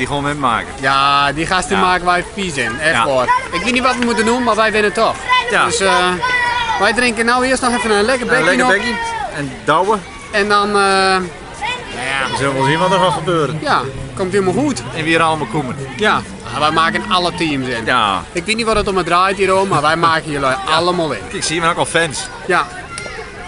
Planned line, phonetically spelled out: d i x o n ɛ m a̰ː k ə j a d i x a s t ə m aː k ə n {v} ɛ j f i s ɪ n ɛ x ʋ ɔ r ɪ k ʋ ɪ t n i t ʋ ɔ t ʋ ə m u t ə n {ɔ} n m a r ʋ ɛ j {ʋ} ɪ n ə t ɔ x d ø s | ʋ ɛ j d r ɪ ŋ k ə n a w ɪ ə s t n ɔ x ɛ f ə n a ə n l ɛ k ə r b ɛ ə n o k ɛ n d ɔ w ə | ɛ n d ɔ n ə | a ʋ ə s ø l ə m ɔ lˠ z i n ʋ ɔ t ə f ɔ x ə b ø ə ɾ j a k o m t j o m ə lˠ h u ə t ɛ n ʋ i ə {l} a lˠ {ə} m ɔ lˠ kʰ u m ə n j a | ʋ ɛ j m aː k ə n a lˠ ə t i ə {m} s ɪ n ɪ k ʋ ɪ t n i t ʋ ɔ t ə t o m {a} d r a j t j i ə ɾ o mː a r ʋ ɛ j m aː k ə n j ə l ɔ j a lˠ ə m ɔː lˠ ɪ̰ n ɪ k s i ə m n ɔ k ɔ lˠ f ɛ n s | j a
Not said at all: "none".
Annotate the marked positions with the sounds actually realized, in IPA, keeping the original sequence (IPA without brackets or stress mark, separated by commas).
ʋ, u, ʋ, ɾ, ə, m, ə